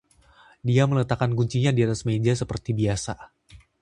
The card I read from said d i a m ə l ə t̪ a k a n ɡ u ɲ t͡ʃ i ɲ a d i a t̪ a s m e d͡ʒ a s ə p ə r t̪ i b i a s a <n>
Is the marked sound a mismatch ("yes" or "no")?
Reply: yes